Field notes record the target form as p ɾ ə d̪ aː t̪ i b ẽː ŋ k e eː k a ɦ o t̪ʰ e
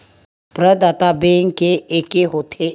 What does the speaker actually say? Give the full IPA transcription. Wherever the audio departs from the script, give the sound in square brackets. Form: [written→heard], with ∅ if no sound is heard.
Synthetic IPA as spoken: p ɾ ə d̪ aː t̪ [i→a] b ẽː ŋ k e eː k [a→e] ɦ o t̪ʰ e